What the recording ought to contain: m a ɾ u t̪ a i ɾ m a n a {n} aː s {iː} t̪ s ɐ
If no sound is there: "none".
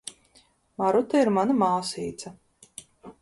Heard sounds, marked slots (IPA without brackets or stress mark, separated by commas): m, iː